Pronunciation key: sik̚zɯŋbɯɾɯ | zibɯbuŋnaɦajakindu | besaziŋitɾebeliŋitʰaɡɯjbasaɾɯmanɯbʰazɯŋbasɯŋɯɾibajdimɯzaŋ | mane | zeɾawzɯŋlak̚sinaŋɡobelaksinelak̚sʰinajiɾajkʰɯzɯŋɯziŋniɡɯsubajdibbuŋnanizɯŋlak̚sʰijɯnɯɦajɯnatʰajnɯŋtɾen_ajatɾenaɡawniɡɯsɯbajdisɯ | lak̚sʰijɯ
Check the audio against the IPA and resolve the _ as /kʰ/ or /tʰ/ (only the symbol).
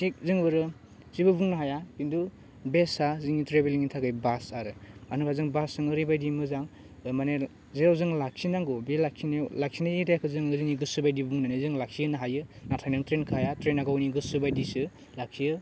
kʰ